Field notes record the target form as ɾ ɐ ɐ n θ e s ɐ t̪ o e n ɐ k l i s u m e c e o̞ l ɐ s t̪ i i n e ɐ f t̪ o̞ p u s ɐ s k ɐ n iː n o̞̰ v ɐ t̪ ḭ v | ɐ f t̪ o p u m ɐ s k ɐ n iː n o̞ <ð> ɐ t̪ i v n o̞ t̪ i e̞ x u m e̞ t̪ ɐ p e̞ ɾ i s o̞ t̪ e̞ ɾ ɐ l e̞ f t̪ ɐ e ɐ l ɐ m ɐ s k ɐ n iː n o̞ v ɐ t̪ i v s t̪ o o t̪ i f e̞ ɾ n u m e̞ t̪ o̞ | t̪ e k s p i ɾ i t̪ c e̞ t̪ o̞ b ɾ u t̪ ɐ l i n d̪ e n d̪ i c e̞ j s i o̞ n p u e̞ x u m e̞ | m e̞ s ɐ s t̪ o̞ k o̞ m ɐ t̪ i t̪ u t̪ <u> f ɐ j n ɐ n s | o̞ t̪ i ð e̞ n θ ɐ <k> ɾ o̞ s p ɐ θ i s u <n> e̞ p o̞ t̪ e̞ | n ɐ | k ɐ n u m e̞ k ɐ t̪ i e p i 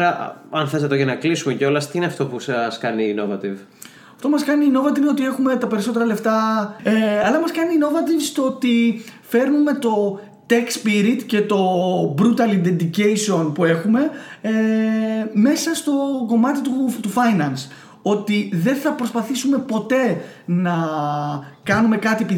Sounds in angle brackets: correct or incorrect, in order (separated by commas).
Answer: incorrect, correct, incorrect, incorrect